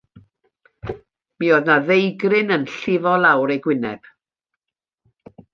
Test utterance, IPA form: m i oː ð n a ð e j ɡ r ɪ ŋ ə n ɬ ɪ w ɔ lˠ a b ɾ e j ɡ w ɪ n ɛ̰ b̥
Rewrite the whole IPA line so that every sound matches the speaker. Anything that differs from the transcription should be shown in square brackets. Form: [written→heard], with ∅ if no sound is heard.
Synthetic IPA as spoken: m i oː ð n a ð e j ɡ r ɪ [ŋ→n] ə n ɬ ɪ [w→v] ɔ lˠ a [b→w] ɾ e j ɡ w ɪ n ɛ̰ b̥